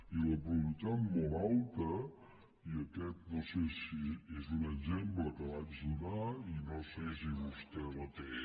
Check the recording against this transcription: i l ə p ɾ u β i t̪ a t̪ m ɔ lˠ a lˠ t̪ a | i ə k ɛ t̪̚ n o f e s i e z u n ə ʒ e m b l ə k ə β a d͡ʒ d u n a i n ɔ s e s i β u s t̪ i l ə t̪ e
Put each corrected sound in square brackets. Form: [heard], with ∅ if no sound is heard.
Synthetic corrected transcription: i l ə p ɾ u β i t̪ a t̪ m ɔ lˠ a lˠ t̪ [ə] | i ə k ɛ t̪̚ n o [s] e s i e z u n ə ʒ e m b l ə k ə β a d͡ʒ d u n a i n [o] s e s i β u s t̪ [ɛ] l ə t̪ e